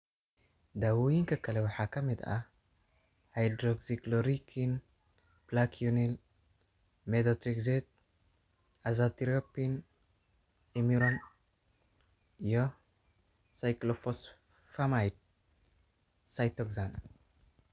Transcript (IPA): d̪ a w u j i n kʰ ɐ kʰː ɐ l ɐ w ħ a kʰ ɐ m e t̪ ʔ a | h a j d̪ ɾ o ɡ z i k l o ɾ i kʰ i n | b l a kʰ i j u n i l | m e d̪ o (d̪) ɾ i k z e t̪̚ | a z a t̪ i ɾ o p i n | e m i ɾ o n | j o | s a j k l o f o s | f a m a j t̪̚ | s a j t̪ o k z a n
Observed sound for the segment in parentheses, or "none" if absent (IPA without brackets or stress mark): t̪